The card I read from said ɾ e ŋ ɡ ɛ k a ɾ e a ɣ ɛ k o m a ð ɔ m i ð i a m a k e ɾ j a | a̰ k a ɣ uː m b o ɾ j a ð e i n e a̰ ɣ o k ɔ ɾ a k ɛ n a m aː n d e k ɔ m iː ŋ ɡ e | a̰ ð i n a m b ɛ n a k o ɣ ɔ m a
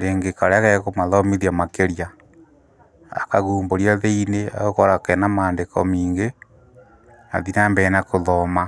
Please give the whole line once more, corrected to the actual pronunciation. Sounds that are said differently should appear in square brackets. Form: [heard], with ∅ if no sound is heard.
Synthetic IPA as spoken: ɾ e ŋ ɡ [e] k a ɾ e a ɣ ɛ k o m a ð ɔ m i ð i a m a k e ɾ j a | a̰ k a ɣ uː m b o ɾ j a ð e i n e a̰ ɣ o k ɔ ɾ a k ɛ n a m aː n d e k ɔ m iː ŋ ɡ e | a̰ ð i n a m b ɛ n a k o [ð] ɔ m a